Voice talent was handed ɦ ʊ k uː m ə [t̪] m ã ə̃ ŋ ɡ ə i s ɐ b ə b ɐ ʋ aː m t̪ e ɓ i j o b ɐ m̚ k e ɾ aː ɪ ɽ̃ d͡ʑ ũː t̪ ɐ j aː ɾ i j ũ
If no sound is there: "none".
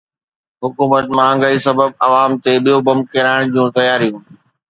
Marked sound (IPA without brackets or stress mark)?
t̪